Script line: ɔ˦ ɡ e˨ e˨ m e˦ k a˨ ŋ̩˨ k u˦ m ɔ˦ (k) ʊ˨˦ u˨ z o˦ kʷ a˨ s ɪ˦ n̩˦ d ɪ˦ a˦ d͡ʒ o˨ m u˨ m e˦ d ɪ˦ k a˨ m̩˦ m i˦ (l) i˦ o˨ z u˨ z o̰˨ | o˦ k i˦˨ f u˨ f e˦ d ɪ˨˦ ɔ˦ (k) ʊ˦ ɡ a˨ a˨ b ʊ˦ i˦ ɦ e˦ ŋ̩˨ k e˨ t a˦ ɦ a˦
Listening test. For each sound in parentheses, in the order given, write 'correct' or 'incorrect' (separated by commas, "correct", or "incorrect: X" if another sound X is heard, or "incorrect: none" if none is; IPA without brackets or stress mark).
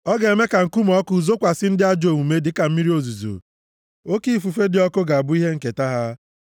correct, incorrect: ɾ, correct